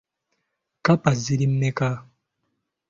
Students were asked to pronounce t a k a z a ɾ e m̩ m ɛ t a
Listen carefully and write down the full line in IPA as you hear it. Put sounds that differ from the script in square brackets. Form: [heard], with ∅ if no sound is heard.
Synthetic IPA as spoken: [k] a [p] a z [i] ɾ [i] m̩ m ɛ [k] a